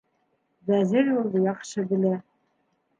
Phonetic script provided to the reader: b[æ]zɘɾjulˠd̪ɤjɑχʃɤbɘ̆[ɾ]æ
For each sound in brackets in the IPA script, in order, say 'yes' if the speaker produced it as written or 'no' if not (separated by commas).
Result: yes, no